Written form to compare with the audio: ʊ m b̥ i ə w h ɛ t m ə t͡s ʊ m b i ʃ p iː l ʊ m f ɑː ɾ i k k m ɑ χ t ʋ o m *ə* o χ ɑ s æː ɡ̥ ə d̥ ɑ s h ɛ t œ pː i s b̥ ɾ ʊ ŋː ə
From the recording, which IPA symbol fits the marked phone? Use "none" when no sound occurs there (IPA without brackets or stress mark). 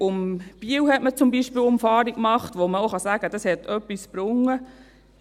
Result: ə